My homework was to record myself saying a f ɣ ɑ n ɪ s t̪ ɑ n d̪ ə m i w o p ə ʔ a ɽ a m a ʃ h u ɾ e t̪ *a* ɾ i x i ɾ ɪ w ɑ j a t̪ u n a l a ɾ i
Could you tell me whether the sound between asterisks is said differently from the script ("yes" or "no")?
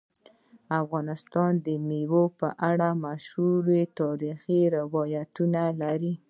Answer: yes